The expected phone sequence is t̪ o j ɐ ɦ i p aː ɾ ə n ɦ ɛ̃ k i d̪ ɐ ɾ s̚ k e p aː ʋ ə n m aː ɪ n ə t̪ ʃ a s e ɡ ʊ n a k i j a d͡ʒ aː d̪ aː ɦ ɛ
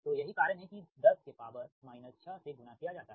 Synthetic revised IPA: t̪ o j ɐ ɦ i k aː ɾ ə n ɦ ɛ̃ k i d̪ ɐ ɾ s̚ k e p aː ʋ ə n m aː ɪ n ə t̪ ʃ a s e ɡ ʊ n a k i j a d͡ʒ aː t̪ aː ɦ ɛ